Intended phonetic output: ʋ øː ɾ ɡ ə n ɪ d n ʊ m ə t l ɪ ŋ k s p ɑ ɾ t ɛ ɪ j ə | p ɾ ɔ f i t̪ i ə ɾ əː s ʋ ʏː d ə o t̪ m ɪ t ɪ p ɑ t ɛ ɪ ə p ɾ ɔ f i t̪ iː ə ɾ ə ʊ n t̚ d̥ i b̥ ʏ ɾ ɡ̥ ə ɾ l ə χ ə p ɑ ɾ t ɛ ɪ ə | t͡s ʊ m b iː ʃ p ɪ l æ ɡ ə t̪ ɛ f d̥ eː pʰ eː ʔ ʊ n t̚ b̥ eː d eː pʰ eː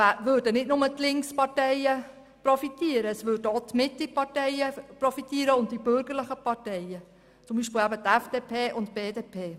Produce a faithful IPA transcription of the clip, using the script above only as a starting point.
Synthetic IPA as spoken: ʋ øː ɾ d ə n ɪ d n ʊ m ə t l ɪ ŋ k s p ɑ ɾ t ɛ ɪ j ə | p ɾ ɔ f i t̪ i ə ɾ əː s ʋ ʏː d ə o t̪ m ɪ t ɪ p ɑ t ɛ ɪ ə p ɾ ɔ f i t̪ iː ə ɾ ə ʊ n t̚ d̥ i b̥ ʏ ɾ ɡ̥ ə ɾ l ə χ ə p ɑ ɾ t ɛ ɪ ə | t͡s ʊ m b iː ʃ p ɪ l æ b ə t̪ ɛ f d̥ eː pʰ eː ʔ ʊ n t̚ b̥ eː d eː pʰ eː